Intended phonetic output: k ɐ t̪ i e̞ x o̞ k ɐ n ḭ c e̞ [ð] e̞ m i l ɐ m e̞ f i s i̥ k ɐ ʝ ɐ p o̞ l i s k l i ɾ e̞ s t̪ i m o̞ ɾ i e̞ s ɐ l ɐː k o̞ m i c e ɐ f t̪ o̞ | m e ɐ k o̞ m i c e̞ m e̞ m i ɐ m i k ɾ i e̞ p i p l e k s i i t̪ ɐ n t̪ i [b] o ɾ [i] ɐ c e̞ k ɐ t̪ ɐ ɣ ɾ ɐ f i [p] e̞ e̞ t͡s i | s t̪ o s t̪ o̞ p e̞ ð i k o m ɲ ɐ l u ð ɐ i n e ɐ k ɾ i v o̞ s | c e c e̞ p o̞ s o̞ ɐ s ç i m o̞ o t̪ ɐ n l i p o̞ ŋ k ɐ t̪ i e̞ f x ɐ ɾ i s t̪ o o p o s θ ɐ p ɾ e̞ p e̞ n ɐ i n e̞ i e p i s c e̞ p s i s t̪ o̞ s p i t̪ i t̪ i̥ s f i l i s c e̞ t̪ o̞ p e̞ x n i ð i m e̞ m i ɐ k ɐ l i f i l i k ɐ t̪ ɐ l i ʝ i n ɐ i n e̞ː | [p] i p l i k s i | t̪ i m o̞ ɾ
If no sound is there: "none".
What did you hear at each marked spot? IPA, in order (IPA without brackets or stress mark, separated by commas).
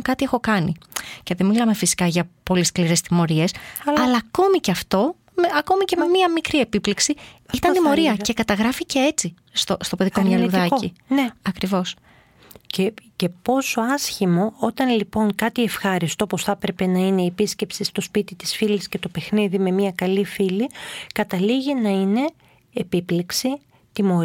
ð, m, i, c, p